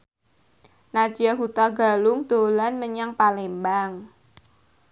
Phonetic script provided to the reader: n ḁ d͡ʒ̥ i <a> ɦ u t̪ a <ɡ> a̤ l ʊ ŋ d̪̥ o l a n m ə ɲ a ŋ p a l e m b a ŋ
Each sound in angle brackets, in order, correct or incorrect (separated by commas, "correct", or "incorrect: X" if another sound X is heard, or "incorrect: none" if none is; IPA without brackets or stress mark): correct, correct